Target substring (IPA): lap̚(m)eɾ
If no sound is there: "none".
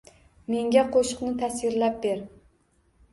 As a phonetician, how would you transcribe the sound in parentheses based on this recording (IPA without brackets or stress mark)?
b